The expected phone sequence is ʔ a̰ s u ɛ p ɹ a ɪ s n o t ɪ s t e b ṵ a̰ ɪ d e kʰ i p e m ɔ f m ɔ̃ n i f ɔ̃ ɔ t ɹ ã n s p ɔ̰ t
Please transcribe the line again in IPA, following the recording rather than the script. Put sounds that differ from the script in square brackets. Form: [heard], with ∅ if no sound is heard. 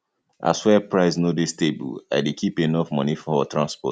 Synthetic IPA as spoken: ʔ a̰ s [w] ɛ p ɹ a ɪ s n o [d] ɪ s t e b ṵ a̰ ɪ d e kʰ i p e [n] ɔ f m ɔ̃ n i f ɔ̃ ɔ t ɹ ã n s p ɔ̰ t